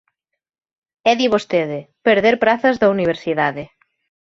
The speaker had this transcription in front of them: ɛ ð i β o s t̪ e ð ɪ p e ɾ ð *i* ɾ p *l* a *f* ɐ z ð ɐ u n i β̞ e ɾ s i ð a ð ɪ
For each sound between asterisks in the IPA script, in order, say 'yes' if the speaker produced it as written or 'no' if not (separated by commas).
no, no, no